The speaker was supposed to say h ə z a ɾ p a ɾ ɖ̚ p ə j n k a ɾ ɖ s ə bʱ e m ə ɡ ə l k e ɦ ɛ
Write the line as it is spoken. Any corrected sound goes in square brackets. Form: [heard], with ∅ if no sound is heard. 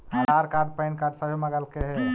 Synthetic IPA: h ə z a ɾ [k] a ɾ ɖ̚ p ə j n k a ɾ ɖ s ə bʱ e m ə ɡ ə l k e ɦ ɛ

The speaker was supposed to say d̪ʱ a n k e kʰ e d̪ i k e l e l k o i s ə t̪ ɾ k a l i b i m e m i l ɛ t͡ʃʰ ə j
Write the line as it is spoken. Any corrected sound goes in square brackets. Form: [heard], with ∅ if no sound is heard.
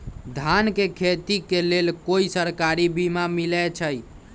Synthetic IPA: d̪ʱ a n k e kʰ e [t̪] i k e l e l k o i s ə [∅] ɾ k a [ɾ] i b i m [a] m i l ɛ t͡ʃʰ ə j

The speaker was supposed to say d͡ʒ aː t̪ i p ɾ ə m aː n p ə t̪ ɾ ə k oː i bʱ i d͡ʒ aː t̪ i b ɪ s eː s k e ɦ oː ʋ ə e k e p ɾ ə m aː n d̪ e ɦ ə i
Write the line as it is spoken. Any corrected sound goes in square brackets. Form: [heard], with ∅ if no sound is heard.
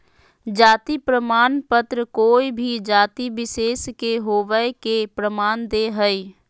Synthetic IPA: d͡ʒ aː t̪ i p ɾ ə m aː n p ə t̪ ɾ ə k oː i bʱ i d͡ʒ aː t̪ i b ɪ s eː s k e ɦ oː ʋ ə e k e p ɾ ə m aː n d̪ e ɦ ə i

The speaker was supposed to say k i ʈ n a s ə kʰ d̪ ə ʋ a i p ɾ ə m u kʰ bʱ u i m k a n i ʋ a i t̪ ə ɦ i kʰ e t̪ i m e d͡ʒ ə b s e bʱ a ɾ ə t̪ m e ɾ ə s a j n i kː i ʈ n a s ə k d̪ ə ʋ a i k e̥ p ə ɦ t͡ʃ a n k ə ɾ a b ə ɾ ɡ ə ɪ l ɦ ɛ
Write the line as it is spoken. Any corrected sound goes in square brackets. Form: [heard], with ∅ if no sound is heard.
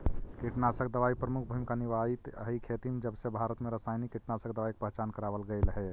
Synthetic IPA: k i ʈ n a s ə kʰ d̪ ə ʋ a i p ɾ ə m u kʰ bʱ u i m k a n i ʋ a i t̪ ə ɦ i kʰ e t̪ i m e d͡ʒ ə b s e bʱ a ɾ ə t̪ m e ɾ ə s a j n i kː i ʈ n a s ə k d̪ ə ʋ a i k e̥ p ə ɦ t͡ʃ a n k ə ɾ a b ə [l] ɡ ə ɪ l ɦ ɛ

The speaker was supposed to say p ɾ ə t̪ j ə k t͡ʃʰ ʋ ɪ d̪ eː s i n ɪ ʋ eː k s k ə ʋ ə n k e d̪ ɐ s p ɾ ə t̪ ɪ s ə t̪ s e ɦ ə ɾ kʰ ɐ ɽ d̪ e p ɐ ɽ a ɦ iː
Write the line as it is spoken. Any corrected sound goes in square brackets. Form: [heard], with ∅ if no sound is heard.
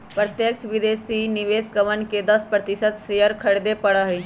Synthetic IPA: p ɾ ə t̪ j ə k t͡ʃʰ ʋ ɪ d̪ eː s i n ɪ ʋ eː [∅] s k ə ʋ ə n k e d̪ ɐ s p ɾ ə t̪ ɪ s ə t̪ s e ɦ ə ɾ kʰ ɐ ɽ d̪ e p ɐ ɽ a ɦ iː

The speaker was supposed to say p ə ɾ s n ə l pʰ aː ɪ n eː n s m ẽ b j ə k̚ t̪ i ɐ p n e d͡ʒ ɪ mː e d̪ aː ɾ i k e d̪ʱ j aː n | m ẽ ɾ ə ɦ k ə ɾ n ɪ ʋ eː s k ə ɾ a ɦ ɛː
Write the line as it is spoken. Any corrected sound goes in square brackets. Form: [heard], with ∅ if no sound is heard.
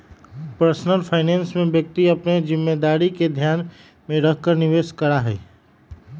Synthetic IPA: p ə ɾ s n ə l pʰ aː ɪ n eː n s m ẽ b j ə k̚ t̪ i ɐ p n e d͡ʒ ɪ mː e d̪ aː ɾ i k e d̪ʱ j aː n | m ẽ ɾ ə ɦ k ə ɾ n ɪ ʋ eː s k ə ɾ a ɦ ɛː

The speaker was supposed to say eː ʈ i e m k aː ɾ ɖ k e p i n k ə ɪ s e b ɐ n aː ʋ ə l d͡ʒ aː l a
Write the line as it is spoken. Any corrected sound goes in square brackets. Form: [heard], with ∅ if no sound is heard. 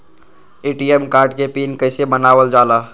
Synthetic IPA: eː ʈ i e m k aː ɾ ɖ k e p i n k ə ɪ s e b [ə] n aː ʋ ə l d͡ʒ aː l a

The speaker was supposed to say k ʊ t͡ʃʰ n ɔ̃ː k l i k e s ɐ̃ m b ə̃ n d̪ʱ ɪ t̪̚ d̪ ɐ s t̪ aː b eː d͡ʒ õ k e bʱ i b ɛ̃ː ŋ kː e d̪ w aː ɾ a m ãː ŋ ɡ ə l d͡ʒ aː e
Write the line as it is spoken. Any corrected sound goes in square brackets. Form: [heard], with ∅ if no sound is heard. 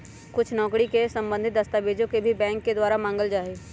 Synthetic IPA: k ʊ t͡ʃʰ n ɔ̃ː k [ɽ] i k e s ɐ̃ m b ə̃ n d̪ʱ ɪ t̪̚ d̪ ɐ s t̪ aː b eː d͡ʒ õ k e bʱ i b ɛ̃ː ŋ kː e d̪ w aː ɾ a m ãː ŋ ɡ ə l d͡ʒ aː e

